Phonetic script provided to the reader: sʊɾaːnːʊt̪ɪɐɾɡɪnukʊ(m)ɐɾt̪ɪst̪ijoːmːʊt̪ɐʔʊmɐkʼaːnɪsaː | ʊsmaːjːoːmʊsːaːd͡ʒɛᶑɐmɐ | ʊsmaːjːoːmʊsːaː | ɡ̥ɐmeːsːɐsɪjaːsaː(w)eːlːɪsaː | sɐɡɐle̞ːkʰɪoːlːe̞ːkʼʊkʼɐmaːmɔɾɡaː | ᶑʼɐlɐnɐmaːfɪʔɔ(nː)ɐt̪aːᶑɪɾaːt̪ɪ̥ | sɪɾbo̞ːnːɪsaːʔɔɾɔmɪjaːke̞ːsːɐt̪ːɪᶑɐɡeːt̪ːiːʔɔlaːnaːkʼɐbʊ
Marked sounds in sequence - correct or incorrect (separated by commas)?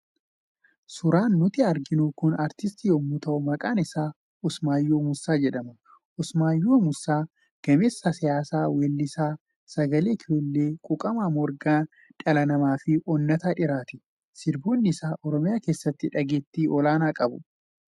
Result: incorrect, correct, correct